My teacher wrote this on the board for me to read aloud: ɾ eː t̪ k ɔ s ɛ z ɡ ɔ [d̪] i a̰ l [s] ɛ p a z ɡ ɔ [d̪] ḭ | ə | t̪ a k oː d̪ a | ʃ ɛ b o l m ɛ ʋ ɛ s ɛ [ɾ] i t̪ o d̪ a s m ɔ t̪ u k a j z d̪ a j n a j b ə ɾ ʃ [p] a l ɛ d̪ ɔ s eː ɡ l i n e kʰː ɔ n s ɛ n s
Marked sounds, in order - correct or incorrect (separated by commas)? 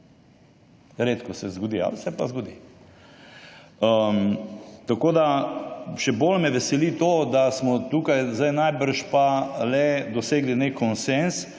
correct, correct, correct, incorrect, correct